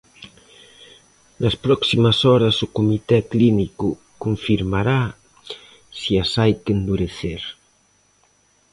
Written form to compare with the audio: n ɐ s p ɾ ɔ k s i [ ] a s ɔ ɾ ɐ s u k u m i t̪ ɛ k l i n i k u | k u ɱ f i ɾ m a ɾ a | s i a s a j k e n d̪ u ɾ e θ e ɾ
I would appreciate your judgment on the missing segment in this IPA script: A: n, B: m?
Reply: B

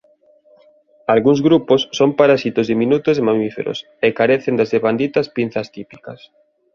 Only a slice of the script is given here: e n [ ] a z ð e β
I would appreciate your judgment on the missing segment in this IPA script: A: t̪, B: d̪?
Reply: B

